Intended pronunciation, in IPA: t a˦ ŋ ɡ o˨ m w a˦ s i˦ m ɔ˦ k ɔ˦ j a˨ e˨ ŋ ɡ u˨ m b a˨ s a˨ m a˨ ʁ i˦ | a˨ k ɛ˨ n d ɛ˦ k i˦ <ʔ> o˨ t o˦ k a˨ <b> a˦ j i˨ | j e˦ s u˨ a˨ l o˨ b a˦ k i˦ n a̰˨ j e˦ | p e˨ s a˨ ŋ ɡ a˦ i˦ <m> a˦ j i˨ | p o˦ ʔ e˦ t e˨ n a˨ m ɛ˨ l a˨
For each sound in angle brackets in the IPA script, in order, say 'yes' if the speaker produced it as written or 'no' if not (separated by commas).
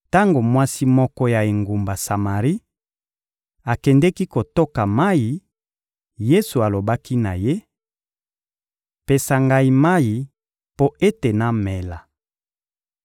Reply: no, no, yes